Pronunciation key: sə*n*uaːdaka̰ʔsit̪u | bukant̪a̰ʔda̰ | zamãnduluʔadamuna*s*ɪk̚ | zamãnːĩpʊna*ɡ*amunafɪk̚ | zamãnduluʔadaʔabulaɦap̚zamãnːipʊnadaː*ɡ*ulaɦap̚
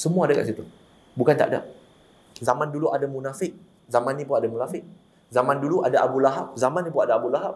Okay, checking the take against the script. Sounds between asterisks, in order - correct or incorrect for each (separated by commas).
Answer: incorrect, incorrect, incorrect, incorrect